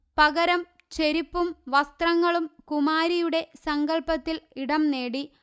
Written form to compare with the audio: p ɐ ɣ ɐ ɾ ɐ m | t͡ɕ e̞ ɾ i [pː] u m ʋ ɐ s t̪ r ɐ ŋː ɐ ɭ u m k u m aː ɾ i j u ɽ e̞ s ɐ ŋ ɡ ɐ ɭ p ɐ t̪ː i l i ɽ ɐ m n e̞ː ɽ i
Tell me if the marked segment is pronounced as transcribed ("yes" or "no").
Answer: yes